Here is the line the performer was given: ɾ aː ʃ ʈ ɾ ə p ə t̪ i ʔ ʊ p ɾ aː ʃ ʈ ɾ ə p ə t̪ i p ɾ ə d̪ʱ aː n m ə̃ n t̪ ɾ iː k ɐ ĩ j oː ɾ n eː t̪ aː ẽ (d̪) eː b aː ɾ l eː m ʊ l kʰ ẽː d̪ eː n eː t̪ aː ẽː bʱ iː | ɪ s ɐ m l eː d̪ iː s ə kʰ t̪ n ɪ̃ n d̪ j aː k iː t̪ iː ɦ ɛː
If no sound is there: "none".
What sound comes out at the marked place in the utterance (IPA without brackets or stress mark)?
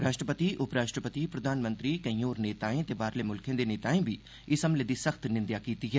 t̪